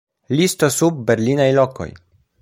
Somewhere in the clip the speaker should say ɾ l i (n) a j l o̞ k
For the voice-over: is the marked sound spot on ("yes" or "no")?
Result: yes